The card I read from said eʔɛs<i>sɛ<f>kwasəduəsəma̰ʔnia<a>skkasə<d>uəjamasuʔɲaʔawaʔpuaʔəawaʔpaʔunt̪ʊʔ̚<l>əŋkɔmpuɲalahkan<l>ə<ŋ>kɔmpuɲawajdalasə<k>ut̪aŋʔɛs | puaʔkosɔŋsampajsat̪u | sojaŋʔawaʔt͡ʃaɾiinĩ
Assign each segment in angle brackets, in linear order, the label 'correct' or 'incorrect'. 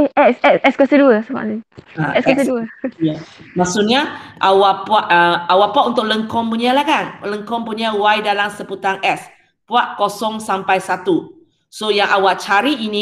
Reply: incorrect: ɛ, incorrect: s, incorrect: ɛ, correct, correct, correct, correct, incorrect: p

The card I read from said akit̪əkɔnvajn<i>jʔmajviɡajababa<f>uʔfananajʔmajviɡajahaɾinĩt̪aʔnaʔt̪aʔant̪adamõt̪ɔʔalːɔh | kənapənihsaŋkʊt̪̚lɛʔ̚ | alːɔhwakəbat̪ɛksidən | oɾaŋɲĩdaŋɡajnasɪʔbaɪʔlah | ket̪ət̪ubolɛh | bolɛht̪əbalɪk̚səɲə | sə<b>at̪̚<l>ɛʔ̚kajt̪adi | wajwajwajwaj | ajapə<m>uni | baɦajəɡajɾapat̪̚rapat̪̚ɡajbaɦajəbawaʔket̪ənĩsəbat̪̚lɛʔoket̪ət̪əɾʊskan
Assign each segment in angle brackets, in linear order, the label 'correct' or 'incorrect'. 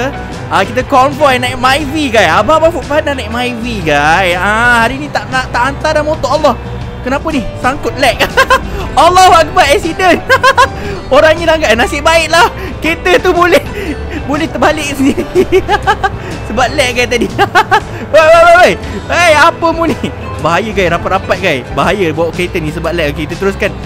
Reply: incorrect: a, correct, correct, correct, correct

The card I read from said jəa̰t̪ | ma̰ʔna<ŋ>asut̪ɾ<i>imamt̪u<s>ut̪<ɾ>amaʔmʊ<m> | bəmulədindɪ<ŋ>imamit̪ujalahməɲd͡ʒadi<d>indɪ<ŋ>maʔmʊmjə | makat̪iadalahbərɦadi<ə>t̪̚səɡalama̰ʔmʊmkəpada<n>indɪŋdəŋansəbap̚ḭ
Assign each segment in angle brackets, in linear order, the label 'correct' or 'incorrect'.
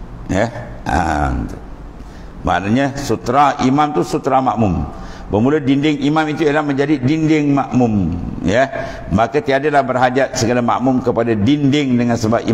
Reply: incorrect: ɲ, incorrect: a, correct, correct, correct, correct, correct, correct, incorrect: a, incorrect: d

